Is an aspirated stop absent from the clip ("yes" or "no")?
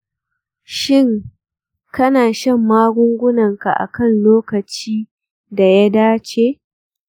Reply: yes